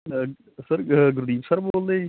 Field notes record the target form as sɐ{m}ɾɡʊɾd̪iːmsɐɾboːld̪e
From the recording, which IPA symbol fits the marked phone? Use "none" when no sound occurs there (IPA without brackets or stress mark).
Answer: none